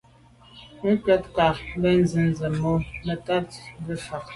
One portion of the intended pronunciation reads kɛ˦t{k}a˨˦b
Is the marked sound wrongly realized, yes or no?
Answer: no